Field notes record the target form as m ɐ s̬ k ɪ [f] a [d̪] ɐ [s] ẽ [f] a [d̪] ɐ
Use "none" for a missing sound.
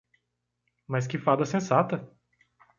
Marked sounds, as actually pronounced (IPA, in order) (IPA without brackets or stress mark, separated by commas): f, d̪, s, s, t̪